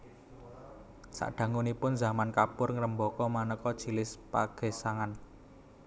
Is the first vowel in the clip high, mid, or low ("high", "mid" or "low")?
low